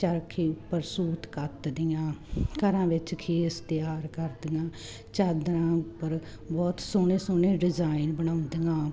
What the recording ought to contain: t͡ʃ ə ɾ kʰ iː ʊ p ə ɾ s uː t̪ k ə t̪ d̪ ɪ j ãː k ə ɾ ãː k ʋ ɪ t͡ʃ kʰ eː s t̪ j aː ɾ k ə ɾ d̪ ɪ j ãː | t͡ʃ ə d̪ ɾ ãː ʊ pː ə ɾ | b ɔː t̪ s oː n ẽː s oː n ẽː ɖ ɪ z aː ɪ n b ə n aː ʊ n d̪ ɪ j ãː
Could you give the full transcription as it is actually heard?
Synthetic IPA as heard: t͡ʃ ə ɾ kʰ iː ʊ p ə ɾ s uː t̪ k ə t̪ d̪ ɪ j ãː k ə ɾ ãː ʋ ɪ t͡ʃ kʰ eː s t̪ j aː ɾ k ə ɾ d̪ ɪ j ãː | t͡ʃ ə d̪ ɾ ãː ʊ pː ə ɾ | b ɔː t̪ s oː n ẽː s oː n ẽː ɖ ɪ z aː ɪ n b ə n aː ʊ n d̪ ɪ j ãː